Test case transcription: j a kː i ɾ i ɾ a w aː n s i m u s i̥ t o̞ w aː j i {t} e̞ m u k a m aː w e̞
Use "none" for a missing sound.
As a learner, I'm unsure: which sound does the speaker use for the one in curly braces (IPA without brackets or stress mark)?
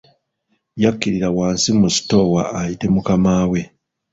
t